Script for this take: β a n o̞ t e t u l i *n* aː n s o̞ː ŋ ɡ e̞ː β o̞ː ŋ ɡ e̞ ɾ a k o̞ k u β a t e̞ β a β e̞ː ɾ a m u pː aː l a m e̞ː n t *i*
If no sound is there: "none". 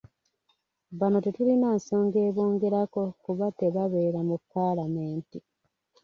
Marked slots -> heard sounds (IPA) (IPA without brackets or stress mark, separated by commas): n, i